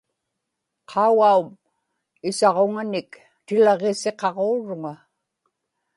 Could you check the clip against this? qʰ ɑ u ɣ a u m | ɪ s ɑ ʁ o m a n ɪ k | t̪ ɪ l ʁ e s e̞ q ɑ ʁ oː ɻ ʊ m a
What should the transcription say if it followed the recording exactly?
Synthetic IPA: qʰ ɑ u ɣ a u m | ɪ s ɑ ʁ o ŋ a n ɪ k | t̪ ɪ l ʁ e s e̞ q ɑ ʁ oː ɻ ʊ ŋ a

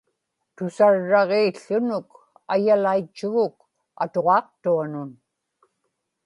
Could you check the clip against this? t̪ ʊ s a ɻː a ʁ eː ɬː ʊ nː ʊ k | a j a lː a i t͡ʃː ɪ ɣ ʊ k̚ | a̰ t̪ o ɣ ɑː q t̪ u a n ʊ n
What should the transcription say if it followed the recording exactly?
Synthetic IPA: t̪ ʊ s a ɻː ɑ ʁ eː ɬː ʊ n ʊ k | a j a l a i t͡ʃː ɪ ɣ ʊ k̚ | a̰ t̪ o ʁ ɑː q t̪ u a n ʊ n

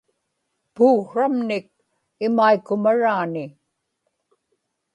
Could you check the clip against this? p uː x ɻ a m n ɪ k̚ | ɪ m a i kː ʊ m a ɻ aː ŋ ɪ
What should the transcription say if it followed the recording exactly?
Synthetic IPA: p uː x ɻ a m n ɪ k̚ | ɪ m a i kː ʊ m a ɻ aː n ɪ

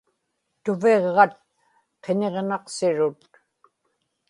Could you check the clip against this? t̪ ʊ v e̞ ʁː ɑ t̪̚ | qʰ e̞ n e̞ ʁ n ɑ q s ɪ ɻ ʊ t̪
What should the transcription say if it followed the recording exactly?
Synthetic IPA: t̪ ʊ v e̞ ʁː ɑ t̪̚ | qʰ e̞ n e̞ ʁ n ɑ q s ɪ ɻ ʊ t̪

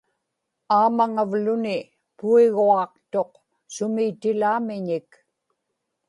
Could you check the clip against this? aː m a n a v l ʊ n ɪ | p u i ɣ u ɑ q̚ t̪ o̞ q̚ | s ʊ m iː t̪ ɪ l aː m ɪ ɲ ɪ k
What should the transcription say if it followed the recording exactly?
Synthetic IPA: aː m a ŋ a v l ʊ n ɪ | p u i ɣ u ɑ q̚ t̪ o̞ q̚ | s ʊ m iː t̪ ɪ l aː m ɪ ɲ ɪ k

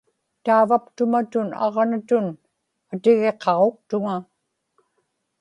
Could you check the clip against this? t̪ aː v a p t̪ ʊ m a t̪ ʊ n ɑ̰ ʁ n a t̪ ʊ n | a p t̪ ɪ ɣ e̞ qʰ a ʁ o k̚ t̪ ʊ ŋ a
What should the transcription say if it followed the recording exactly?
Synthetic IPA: t̪ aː v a p t̪ ʊ m a t̪ ʊ n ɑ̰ ʁ n a t̪ ʊ n | a t̪ ɪ ɣ e̞ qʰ ɑ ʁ o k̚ t̪ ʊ ŋ a

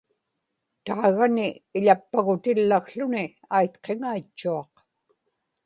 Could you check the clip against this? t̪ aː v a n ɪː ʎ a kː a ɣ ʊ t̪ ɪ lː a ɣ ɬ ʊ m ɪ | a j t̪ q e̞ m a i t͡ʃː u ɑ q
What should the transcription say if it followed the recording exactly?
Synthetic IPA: t̪ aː ɣ a n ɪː ʎ a pː a ɣ ʊ t̪ ɪ lː a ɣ ɬ ʊ n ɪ | a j t̪ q e̞ ŋ a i t͡ʃː u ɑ q

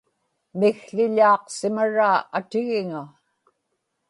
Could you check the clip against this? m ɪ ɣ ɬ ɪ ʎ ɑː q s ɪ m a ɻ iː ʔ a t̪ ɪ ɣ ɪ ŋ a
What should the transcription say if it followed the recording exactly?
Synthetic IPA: m ɪ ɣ ɬ ɪ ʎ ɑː q s ɪ m a ɻ aː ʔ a t̪ ɪ ɣ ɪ ŋ a

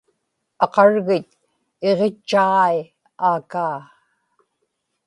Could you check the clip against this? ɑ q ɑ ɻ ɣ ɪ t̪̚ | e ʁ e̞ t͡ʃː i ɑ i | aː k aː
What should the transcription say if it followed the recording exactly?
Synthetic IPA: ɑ q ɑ ɻ ɣ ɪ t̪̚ | e ʁ e̞ t͡ʃː a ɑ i | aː k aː

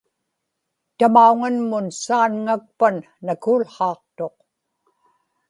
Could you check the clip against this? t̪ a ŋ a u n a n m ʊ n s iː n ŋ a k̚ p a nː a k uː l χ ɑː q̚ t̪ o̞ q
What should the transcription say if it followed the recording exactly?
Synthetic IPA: t̪ a m a u ŋ a n m ʊ n s aː n ŋ a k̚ p a nː a k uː l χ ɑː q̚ t̪ o̞ q

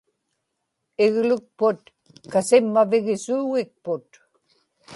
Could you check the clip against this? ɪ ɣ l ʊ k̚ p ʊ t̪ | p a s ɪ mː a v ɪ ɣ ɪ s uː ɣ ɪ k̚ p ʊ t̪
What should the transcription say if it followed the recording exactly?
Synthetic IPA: ɪ ɣ l ʊ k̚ p ʊ t̪ | k a s ɪ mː a v ɪ ɣ ɪ s uː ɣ ɪ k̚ p ʊ t̪

